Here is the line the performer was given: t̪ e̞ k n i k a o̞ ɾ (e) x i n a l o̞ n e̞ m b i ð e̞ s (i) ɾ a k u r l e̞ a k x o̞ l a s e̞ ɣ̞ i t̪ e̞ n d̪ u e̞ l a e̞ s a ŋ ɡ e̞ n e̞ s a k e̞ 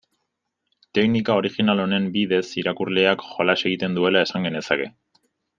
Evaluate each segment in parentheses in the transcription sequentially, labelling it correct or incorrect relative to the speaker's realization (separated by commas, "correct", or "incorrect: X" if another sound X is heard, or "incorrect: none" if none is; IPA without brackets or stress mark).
incorrect: i, correct